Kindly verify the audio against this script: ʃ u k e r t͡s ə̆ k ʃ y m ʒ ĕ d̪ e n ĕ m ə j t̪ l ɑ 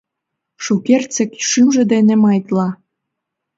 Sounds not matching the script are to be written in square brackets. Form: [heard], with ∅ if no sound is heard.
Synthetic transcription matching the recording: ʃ u k e r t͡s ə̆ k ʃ y m ʒ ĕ d̪ e n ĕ m [ɑ] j t̪ l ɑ